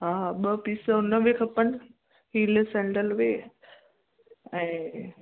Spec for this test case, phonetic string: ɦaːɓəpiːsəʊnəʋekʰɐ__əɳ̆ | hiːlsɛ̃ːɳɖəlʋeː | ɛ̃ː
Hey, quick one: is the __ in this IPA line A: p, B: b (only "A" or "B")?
A